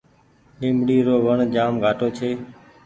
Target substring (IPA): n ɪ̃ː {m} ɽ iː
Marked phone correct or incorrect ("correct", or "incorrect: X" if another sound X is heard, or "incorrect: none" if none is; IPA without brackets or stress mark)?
correct